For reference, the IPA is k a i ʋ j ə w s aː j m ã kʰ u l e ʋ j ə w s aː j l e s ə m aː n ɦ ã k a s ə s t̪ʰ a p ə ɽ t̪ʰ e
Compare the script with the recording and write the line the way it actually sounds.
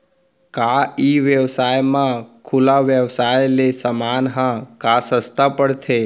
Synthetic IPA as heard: k a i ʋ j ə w s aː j m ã kʰ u l a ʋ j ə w s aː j l e s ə m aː n ɦ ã k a s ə s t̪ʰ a p ə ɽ t̪ʰ e